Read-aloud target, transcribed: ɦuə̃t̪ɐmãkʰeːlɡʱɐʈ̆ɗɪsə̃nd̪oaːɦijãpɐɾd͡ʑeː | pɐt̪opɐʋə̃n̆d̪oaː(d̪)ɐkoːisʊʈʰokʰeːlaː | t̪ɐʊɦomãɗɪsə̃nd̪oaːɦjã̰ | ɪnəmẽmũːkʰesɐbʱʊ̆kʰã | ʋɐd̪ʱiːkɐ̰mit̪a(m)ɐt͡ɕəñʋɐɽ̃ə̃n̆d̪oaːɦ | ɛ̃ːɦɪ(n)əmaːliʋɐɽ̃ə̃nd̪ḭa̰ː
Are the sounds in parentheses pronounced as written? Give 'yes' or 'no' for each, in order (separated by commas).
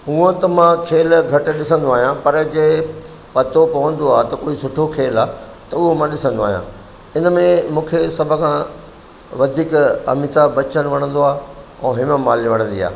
no, no, no